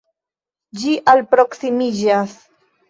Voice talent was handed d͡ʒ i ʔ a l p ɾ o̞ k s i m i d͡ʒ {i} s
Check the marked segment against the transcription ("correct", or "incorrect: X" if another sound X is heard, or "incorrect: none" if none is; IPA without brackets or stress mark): incorrect: a